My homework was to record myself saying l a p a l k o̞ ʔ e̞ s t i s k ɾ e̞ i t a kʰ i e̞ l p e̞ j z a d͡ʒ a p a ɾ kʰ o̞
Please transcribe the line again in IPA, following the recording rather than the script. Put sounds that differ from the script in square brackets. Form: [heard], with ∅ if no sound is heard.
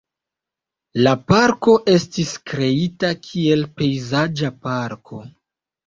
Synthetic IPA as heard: l a p a [ɾ] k o̞ ʔ e̞ s t i s k ɾ e̞ i t a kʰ i e̞ l p e̞ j z a d͡ʒ a p a ɾ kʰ o̞